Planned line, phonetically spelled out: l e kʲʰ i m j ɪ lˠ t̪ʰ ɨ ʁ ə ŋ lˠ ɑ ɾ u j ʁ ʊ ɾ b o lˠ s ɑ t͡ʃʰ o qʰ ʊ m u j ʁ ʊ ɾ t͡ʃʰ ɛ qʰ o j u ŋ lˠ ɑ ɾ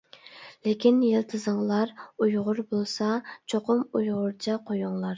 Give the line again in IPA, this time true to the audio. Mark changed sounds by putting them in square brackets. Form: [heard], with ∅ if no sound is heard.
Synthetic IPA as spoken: l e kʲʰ i [n] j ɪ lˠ t̪ʰ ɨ [z] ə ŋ lˠ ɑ ɾ u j ʁ ʊ ɾ b o lˠ s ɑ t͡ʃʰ o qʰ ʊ m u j ʁ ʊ ɾ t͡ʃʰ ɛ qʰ o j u ŋ lˠ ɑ ɾ